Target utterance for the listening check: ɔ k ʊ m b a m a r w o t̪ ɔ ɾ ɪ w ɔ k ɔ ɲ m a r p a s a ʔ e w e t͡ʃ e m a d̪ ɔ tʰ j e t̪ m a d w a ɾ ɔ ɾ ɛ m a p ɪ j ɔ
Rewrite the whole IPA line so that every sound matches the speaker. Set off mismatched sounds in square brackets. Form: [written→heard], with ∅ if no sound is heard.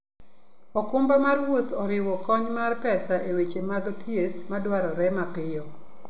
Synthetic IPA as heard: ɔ k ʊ m b a m a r w o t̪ ɔ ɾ ɪ w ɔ k ɔ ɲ m a r p [a→ɛ] s a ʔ e w e t͡ʃ e m a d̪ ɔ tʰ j e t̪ m a d w a ɾ ɔ ɾ ɛ m a p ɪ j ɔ